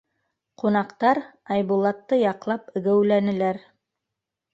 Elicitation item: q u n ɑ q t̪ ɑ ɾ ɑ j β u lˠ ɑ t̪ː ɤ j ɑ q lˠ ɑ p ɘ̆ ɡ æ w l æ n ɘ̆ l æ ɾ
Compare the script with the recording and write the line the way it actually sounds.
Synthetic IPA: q u n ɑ q t̪ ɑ ɾ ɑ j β u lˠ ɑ t̪ː ɤ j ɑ q lˠ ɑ p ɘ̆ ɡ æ w l æ n ɘ̆ l æ ɾ